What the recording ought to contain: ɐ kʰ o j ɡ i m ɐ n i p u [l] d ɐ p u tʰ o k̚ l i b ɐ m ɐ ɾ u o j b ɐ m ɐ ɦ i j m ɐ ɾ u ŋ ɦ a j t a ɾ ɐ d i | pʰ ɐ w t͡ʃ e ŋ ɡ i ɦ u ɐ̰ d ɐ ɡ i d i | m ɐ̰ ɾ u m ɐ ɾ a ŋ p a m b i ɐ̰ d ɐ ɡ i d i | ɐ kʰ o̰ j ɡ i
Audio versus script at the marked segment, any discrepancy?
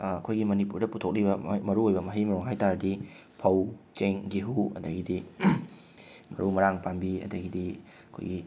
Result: yes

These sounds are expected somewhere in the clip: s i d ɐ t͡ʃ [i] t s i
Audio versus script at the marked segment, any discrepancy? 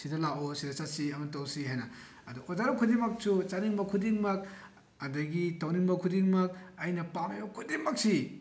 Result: yes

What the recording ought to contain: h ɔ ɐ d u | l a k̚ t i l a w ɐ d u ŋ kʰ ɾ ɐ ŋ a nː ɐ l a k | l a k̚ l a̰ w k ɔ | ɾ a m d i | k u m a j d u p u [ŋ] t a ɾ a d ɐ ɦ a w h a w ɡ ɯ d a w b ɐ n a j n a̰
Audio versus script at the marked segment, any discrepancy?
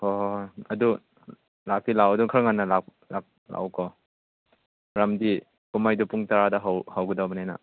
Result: no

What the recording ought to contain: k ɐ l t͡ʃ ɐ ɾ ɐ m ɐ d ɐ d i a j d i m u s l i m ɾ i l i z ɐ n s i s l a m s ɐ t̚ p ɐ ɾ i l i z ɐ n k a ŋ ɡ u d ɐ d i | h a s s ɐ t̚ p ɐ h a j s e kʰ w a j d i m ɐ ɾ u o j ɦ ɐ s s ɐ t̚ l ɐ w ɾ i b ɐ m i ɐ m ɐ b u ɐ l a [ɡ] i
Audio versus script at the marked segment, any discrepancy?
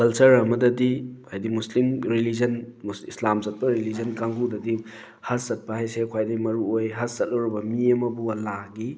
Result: no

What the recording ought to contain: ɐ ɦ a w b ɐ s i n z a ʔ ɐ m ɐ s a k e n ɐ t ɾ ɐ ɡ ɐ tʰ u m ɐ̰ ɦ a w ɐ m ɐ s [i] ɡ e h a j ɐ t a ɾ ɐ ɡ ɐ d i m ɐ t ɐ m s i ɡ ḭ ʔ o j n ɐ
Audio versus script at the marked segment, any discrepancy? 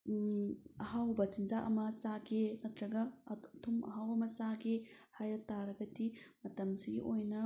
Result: yes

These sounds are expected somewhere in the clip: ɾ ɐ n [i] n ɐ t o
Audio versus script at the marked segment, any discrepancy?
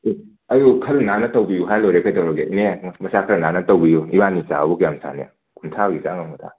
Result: yes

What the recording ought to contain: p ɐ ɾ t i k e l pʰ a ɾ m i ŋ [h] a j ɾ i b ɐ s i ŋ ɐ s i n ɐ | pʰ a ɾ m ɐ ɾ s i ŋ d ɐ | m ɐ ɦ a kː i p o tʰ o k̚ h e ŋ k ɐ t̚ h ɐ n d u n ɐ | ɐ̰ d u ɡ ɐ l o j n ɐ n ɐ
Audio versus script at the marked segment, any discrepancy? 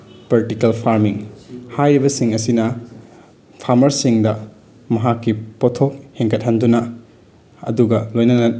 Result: no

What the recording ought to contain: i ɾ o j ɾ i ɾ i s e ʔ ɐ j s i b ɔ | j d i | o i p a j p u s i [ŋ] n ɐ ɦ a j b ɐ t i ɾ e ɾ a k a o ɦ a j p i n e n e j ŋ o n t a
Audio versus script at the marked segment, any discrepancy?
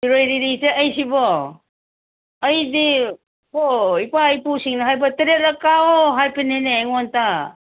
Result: no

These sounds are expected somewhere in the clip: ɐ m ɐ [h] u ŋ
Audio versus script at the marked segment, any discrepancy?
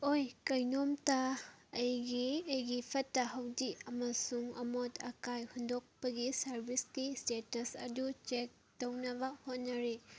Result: yes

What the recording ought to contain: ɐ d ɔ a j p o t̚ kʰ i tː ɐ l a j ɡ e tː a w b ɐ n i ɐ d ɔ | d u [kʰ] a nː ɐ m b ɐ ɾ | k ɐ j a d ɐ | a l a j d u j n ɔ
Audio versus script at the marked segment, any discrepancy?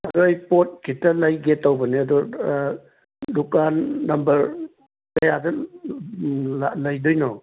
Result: yes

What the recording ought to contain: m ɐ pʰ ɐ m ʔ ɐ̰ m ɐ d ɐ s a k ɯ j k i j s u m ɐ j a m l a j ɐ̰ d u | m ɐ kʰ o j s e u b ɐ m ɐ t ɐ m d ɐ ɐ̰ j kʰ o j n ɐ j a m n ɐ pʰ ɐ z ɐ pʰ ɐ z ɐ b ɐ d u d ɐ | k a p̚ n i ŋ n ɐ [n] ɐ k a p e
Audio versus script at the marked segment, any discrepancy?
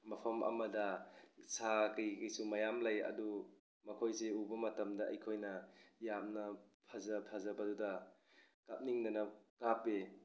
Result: no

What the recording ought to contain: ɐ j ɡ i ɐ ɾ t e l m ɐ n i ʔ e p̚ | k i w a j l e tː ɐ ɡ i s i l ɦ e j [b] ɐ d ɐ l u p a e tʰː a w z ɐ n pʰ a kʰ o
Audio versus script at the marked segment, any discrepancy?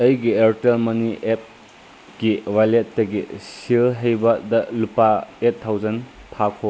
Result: no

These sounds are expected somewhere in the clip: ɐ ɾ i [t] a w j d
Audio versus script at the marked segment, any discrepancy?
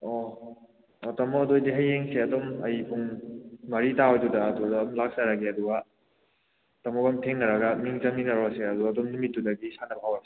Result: no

